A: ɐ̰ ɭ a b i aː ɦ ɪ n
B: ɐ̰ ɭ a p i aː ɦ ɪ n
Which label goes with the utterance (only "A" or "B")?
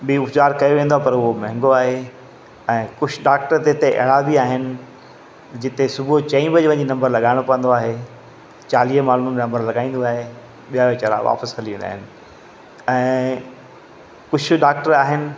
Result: A